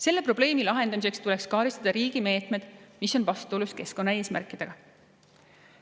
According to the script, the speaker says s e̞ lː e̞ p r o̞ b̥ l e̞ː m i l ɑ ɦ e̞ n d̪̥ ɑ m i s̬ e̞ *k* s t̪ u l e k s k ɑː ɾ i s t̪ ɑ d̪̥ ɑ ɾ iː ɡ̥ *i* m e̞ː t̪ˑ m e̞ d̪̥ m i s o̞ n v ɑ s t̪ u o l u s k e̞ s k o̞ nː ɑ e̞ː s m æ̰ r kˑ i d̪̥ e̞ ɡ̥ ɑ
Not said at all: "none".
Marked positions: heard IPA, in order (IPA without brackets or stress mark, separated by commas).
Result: k, i